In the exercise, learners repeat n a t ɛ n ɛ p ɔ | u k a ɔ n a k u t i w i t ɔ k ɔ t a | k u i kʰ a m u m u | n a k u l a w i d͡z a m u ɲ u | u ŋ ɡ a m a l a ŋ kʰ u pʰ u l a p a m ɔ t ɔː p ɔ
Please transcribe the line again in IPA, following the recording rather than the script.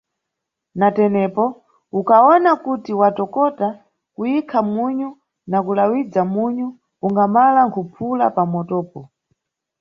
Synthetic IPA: n a t ɛ n ɛ p ɔ | u k a ɔ n a k u t i w a t ɔ k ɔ t a | k u i kʰ a m u ɲ u | n a k u l a w i d͡z a m u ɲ u | u ŋ ɡ a m a l a ŋ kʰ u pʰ u l a p a m ɔ t ɔː p ɔ